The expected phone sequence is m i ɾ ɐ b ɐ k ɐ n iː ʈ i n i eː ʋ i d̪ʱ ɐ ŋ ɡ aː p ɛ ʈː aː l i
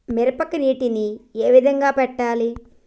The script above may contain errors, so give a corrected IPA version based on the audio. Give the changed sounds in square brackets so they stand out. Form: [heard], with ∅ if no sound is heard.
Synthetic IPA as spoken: m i ɾ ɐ [p] ɐ k ɐ n iː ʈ i n i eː ʋ i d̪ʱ ɐ ŋ ɡ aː p ɛ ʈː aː l i